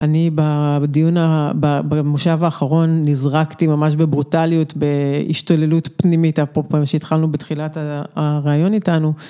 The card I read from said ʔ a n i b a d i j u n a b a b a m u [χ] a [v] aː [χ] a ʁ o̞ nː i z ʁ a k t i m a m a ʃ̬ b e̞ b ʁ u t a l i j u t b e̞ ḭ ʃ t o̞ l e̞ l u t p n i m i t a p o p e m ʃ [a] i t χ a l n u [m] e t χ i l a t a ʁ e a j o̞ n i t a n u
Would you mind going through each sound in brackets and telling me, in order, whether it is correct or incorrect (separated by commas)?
incorrect, correct, correct, incorrect, incorrect